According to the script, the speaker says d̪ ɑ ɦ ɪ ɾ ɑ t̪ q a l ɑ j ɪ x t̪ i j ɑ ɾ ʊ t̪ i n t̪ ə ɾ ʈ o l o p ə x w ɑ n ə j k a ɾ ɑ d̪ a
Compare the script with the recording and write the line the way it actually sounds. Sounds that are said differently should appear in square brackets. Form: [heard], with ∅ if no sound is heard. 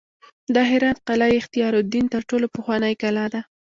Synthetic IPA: d̪ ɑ ɦ ɪ ɾ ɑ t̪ q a l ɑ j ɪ x t̪ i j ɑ ɾ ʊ [d̪] i n t̪ ə ɾ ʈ o l o p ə x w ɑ n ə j k a [l] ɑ d̪ a